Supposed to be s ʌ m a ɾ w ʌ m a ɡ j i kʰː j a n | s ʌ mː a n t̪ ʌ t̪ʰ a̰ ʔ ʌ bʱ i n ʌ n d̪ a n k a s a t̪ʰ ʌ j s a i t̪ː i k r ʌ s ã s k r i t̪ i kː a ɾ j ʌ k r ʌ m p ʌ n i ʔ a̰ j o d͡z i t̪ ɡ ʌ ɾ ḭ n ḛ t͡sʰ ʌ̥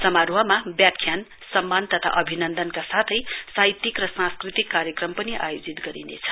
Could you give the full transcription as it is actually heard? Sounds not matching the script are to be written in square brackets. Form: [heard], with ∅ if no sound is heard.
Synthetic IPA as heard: s ʌ m a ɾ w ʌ m a [b] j [a] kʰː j a n | s ʌ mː a n t̪ ʌ t̪ʰ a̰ ʔ ʌ bʱ i n ʌ n d̪ [ʌ] n k a s a t̪ʰ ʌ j s a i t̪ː i k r ʌ s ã s k r i t̪ i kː a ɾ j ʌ k r ʌ m p ʌ n i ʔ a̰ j o d͡z i t̪ ɡ ʌ ɾ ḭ n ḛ t͡sʰ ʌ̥

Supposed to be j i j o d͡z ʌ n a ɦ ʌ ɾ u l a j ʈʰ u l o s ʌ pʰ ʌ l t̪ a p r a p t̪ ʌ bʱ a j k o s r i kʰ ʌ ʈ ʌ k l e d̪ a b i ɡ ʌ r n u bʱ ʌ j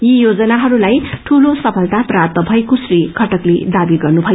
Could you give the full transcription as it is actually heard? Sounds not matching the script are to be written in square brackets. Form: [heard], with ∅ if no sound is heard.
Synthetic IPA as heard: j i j o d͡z ʌ n a ɦ ʌ ɾ u l a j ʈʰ u l o s ʌ pʰ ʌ l t̪ a p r a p t̪ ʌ bʱ [ʌ] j k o s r i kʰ ʌ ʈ ʌ k l e d̪ a b i ɡ ʌ r n u bʱ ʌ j

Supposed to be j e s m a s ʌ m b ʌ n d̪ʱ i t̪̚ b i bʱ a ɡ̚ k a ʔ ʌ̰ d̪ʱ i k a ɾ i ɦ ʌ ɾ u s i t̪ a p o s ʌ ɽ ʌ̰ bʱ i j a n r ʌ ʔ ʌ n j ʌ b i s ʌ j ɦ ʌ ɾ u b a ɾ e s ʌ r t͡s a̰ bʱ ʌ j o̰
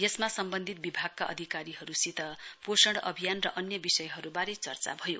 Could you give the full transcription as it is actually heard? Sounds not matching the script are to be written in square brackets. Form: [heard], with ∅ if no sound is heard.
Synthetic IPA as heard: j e s m a s ʌ m b ʌ n d̪ʱ i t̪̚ b i bʱ a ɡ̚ k a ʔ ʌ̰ d̪ʱ i k a ɾ i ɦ ʌ ɾ u s i t̪ [ʌ] p o s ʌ ɽ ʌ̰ bʱ i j a n r ʌ ʔ ʌ n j ʌ b i s ʌ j ɦ ʌ ɾ u b a ɾ e [t͡s] ʌ r t͡s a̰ bʱ ʌ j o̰

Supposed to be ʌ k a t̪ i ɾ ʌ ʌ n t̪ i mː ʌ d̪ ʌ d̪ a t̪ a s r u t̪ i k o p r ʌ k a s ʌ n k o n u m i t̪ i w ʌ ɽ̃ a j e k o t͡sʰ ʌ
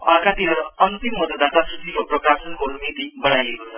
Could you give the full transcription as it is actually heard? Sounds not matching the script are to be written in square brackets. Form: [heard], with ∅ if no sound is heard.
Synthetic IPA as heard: ʌ k a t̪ i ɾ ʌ ʌ n t̪ i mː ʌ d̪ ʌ d̪ a t̪ a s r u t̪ i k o p r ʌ k a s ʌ n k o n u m i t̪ i [b] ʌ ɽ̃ a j e k o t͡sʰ ʌ

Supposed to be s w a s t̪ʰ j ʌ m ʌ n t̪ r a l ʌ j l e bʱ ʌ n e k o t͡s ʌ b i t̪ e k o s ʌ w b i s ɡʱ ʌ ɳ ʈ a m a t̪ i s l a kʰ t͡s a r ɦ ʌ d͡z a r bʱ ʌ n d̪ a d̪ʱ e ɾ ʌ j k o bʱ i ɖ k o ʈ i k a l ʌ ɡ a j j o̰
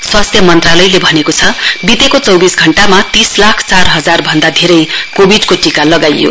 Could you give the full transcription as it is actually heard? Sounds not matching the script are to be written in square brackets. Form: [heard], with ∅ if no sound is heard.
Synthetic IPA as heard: s w a s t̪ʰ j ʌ m ʌ n t̪ r a l ʌ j l e bʱ ʌ n e k o [t͡sʰ] ʌ b i t̪ e k o [t͡s] ʌ w b i s ɡʱ ʌ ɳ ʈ a m a t̪ i s l a kʰ t͡s a r ɦ ʌ d͡z a r bʱ ʌ n d̪ a d̪ʱ e ɾ ʌ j k o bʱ i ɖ k o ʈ i k a l ʌ ɡ a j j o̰

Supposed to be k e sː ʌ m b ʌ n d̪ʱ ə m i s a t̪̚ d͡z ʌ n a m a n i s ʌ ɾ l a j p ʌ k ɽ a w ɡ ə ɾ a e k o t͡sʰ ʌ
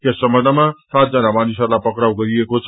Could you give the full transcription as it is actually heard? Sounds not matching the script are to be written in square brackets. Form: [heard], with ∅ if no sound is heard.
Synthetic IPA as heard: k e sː ʌ m b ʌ n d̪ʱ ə m [a] s a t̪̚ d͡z ʌ n a m a n i s ʌ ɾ l a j p ʌ k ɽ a w ɡ [ʌ] ɾ [i] e k o t͡sʰ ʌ

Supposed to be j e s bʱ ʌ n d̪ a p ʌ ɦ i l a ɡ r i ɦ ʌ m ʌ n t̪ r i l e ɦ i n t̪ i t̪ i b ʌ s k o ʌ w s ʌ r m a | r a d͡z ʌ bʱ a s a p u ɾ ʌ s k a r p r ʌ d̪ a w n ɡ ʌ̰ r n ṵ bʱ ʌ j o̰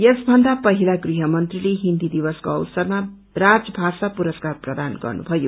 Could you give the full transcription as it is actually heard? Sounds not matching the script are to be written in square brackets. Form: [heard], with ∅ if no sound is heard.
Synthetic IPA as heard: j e s bʱ ʌ n d̪ a p ʌ ɦ i l a ɡ r i ɦ ʌ m ʌ n t̪ r i l e ɦ i n [d̪] i [d̪] i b ʌ s k o ʌ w s ʌ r m a | r a d͡z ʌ bʱ a s a p u ɾ ʌ s k a r p r ʌ d̪ a [∅] n ɡ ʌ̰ r n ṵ bʱ ʌ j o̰

